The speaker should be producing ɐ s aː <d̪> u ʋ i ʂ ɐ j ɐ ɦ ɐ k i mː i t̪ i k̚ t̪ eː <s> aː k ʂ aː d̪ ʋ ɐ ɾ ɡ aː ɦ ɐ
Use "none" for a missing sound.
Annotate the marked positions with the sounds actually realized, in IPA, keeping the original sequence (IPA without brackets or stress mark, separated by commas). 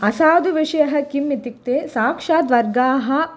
d̪, s